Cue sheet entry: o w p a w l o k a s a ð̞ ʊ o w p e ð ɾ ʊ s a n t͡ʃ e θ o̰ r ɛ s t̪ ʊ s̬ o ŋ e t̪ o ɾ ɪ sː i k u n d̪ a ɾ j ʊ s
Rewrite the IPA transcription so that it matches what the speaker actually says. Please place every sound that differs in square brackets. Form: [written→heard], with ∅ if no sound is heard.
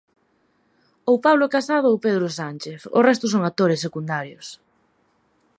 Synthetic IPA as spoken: o w p a [w→β] l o k a s a ð̞ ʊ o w p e ð ɾ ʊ s a n t͡ʃ e θ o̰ r ɛ s t̪ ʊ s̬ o ŋ [e→a] t̪ o ɾ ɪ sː [i→e] k u n d̪ a ɾ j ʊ s